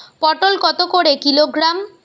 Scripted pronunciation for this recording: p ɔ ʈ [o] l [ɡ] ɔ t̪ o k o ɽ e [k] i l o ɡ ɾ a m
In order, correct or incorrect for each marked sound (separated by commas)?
correct, incorrect, correct